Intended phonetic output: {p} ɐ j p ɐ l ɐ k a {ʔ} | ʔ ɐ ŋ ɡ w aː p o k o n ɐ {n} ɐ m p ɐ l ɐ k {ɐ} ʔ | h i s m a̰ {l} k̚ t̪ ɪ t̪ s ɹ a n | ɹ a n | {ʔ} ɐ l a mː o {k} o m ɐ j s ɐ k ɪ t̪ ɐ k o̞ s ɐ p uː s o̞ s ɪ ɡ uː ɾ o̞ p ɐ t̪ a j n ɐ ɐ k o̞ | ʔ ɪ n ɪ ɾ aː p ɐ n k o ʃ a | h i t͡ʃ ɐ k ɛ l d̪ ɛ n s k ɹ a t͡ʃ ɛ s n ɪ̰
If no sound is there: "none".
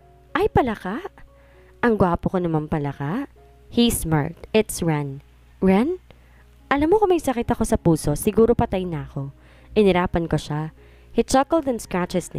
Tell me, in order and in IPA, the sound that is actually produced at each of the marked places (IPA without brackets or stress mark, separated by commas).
ʔ, ʔ, m, a, ɹ, ʔ, k